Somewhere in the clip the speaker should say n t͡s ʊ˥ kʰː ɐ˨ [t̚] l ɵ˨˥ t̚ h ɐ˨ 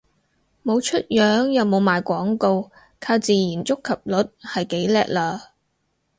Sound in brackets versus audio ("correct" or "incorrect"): incorrect